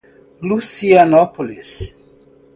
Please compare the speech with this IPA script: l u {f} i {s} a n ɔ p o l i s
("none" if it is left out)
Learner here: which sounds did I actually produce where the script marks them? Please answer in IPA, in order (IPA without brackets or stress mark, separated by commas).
s, none